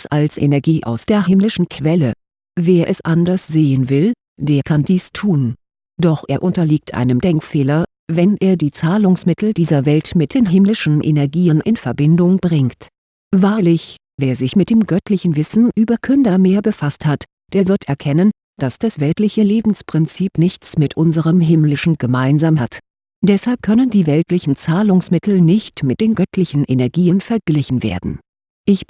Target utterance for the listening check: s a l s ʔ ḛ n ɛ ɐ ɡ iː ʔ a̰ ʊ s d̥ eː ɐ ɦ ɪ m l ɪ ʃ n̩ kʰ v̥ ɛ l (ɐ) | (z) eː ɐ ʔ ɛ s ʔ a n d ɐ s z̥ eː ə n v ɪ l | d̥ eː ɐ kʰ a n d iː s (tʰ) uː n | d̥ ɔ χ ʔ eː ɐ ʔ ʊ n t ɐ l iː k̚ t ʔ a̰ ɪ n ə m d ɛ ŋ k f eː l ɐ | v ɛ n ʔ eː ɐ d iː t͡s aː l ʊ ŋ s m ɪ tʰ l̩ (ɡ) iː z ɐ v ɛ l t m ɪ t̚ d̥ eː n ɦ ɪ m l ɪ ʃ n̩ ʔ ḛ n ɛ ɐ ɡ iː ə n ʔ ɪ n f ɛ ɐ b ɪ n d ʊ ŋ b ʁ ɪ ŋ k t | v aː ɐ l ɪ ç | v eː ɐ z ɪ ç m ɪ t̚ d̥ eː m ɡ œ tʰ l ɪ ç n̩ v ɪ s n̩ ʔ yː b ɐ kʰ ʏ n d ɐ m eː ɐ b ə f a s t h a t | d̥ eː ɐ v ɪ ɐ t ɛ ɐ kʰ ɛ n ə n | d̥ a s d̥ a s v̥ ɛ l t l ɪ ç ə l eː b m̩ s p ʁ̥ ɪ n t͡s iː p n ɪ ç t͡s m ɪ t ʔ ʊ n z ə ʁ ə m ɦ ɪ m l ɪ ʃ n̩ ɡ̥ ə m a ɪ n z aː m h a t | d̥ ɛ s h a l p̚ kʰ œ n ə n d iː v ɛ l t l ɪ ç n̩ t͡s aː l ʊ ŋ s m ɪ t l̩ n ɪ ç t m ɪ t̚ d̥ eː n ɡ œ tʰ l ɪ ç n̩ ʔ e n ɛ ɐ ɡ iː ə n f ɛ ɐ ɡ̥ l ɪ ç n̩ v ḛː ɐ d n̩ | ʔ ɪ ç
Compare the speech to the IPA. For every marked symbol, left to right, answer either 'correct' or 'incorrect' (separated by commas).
incorrect, incorrect, correct, incorrect